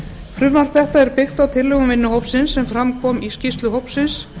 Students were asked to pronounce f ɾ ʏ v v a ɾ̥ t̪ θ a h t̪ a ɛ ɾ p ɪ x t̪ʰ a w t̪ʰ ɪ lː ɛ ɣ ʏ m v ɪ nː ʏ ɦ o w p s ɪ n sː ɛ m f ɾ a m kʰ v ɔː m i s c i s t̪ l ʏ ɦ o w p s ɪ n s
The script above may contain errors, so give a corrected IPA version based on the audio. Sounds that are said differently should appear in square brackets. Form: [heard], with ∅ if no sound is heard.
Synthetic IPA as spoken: f ɾ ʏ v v a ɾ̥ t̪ θ [ɛ] h t̪ a ɛ ɾ p ɪ x [t̪] a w t̪ʰ ɪ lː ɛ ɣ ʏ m v ɪ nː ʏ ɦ o w p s ɪ n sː ɛ m f ɾ a m kʰ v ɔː m i s c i s t̪ l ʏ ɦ o w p s ɪ n s